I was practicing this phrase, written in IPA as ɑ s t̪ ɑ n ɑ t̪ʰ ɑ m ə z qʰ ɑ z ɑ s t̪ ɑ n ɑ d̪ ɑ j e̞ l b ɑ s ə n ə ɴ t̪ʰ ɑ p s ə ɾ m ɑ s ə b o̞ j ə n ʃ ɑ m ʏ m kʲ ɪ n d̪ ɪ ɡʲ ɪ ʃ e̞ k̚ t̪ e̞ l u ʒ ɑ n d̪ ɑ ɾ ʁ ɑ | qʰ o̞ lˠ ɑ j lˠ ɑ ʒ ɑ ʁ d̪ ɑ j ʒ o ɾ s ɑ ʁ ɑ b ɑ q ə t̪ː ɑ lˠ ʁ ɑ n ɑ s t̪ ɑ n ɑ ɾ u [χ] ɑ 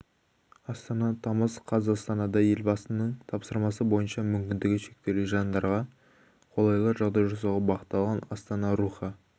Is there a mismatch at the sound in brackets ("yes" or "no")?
no